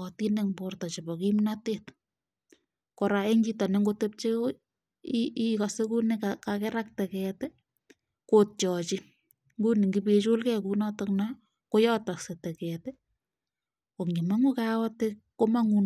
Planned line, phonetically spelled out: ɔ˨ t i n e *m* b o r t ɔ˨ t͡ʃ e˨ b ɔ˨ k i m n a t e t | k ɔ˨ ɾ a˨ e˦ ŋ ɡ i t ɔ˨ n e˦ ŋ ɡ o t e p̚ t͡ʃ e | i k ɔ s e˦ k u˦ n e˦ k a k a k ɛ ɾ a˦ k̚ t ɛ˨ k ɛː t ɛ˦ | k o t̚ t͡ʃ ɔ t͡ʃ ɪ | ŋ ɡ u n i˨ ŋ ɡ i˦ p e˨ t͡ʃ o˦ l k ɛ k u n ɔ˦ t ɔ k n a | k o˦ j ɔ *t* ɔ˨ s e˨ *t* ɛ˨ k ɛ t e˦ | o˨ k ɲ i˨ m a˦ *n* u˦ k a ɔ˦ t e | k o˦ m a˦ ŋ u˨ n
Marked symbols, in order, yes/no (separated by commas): no, yes, yes, no